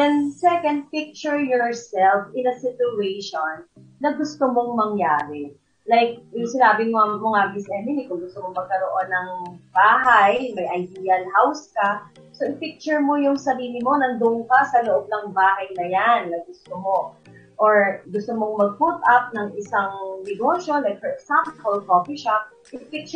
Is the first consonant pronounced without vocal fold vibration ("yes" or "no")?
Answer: no